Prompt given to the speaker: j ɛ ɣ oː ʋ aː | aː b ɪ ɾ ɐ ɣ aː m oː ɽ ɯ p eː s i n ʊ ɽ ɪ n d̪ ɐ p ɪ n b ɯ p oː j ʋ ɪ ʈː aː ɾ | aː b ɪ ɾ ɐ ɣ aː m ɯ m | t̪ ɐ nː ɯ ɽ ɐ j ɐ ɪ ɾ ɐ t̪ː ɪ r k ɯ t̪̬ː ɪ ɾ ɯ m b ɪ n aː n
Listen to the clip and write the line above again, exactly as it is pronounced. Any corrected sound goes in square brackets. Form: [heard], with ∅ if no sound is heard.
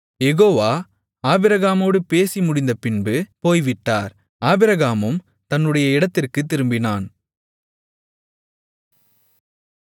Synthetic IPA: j ɛ ɣ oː ʋ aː | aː b ɪ ɾ ɐ ɣ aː m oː ɽ ɯ p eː s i [m] ʊ ɽ ɪ n d̪ ɐ p ɪ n b ɯ p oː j ʋ ɪ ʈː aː ɾ | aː b ɪ ɾ ɐ ɣ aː m ɯ m | t̪ ɐ nː ɯ ɽ ɐ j ɐ ɪ [ɽ] ɐ t̪ː ɪ r k ɯ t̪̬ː ɪ ɾ ɯ m b ɪ n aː n